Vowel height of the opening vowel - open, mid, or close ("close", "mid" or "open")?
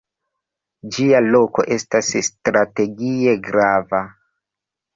close